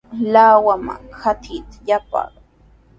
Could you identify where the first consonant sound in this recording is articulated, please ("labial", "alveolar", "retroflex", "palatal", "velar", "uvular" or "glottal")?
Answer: alveolar